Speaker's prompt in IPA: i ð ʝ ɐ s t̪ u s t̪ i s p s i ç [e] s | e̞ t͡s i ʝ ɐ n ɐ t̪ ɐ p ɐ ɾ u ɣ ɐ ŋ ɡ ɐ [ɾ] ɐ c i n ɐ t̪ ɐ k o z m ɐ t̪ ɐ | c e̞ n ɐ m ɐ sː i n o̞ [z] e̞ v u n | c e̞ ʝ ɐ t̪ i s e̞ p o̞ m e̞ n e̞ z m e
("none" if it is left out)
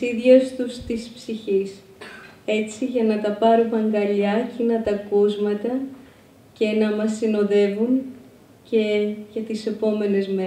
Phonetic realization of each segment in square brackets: i, ʎ, ð

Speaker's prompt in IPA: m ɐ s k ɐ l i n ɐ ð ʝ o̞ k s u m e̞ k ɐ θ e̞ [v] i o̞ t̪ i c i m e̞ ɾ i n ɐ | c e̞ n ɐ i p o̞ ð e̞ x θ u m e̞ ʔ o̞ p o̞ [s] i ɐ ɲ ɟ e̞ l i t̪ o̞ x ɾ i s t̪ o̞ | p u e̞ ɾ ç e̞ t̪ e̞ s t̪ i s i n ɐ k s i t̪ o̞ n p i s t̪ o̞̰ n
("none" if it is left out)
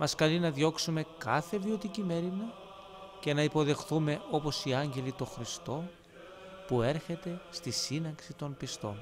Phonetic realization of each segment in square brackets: v, s

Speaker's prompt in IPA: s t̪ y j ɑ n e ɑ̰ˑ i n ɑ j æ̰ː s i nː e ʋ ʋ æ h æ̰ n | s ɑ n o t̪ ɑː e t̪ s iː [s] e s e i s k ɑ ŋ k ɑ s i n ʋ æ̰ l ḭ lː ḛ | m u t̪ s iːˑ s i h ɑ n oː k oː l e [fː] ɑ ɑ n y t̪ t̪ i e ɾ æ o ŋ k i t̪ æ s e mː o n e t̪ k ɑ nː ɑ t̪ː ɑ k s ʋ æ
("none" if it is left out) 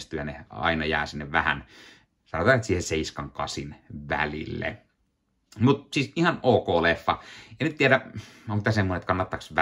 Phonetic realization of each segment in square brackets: h, fː

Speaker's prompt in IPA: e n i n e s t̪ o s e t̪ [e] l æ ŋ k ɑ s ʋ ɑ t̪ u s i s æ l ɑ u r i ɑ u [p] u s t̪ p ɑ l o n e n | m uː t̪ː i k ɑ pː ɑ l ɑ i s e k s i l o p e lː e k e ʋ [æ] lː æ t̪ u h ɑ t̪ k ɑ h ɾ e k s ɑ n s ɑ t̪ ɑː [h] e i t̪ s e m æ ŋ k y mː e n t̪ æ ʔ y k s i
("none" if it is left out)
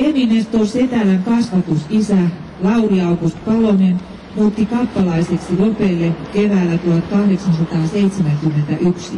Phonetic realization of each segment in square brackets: æ, k, æː, s

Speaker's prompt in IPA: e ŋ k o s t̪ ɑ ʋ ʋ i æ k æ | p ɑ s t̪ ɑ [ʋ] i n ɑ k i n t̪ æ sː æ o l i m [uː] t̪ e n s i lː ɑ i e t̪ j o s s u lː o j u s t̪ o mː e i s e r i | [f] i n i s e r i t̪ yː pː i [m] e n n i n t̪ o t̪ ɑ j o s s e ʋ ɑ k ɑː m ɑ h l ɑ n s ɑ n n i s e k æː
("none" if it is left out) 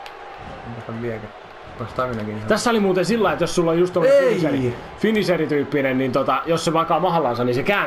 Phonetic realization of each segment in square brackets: ʋ, uː, f, n

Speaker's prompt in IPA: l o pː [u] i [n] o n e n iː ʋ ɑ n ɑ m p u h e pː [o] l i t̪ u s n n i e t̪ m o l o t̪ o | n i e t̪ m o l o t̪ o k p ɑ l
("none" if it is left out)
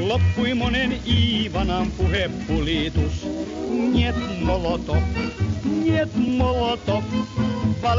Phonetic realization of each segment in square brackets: u, m, u

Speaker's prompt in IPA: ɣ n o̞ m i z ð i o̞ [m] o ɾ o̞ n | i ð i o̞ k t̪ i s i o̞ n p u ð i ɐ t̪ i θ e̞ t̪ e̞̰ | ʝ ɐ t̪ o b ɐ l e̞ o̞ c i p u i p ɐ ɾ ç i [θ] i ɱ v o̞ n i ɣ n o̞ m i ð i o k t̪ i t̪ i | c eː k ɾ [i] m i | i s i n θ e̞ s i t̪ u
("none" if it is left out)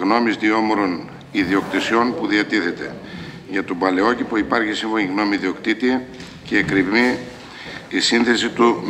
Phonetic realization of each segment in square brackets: m, s, i

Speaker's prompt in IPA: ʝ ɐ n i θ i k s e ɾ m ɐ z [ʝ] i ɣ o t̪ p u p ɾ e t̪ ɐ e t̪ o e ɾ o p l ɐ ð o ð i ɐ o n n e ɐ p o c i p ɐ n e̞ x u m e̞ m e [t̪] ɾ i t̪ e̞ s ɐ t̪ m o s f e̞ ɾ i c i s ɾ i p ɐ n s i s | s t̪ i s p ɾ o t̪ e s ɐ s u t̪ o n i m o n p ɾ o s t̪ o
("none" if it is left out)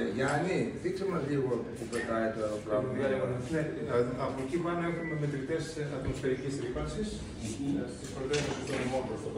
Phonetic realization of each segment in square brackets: ʎ, t̪

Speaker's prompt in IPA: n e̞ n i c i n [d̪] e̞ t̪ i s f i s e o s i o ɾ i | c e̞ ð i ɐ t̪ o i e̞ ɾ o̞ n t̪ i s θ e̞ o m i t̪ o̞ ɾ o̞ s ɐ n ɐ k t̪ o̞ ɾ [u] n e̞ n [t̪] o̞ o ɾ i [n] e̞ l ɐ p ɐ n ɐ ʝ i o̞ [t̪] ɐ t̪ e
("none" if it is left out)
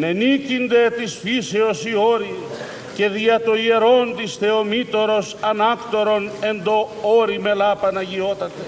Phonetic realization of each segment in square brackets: d̪, o, d̪, m, t̪

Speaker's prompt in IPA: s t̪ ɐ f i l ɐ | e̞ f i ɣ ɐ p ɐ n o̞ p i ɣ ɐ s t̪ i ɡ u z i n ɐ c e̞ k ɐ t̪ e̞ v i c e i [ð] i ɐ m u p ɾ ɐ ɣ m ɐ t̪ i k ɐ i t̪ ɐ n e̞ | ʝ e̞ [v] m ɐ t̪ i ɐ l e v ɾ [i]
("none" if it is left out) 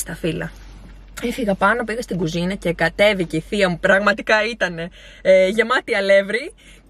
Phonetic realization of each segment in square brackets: θ, none, i

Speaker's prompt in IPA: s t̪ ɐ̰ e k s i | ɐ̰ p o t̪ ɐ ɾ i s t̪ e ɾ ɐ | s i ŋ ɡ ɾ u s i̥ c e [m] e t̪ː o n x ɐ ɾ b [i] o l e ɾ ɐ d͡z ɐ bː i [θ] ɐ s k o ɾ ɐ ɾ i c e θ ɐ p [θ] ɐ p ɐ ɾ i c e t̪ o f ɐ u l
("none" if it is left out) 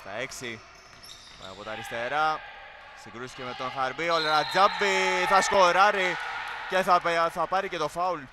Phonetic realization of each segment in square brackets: m, i, θ, θ

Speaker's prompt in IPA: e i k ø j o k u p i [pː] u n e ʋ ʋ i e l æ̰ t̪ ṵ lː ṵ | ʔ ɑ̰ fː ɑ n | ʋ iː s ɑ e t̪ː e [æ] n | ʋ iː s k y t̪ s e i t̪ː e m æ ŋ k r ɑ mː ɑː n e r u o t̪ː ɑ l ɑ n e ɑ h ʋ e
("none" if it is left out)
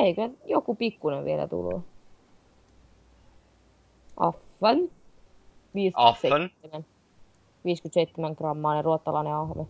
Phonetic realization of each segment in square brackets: kː, æ

